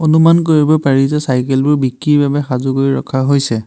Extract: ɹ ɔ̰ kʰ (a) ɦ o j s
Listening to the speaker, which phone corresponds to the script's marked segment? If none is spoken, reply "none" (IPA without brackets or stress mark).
a